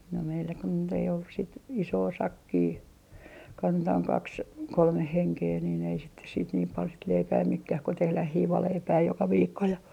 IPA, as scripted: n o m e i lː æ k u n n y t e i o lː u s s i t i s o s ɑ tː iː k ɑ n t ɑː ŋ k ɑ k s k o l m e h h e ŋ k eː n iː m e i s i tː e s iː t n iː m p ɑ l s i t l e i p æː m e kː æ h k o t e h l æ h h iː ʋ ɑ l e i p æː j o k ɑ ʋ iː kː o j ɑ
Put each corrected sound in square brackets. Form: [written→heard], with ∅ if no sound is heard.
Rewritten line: n o m e i lː æ k u n n y t e i o lː u s s i t i s [o→oː] s ɑ [tː→kː] iː k ɑ n t ɑː ŋ k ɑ k s k o l m e h h e ŋ k eː n iː [m→n] e i s i tː e s iː t n iː m p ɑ l s i t l e i p æː m e kː æ h k o t e h l æ h h iː ʋ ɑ l e i p æː j o k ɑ ʋ iː kː o j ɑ